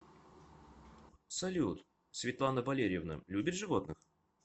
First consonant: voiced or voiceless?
voiceless